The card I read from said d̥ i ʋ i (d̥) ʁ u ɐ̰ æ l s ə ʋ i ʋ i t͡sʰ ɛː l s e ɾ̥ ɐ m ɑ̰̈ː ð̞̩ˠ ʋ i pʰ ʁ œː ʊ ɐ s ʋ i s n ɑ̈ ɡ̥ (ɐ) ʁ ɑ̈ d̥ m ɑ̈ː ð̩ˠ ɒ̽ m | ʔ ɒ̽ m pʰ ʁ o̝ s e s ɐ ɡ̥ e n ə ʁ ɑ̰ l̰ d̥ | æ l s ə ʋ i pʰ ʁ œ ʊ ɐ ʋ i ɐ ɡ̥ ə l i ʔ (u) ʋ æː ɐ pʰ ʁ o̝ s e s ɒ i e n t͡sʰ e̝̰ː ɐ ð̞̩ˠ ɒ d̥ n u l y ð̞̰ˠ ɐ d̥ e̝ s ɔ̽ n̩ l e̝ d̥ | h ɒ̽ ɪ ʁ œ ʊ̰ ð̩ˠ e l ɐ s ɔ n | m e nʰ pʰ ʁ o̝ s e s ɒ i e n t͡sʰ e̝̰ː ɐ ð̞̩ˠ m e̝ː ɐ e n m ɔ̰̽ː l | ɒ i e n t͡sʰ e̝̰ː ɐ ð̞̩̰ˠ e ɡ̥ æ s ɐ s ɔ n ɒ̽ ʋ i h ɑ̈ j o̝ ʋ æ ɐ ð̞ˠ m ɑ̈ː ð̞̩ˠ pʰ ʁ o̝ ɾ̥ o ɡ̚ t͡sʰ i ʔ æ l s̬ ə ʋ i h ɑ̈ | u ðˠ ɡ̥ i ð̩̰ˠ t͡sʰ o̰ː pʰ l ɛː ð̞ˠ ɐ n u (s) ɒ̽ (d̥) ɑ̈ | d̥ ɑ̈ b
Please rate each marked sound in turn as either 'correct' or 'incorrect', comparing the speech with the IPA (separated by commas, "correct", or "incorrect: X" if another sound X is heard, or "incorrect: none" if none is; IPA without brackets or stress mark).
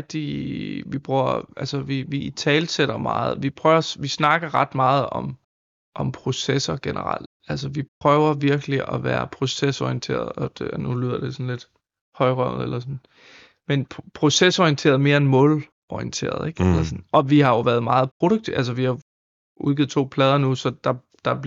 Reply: incorrect: b̥, correct, incorrect: ɒ, correct, correct